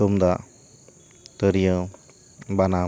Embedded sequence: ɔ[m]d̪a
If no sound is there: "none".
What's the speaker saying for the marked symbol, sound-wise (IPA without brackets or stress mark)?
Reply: m